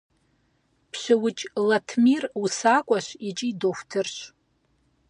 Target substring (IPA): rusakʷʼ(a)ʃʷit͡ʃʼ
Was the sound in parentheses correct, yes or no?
yes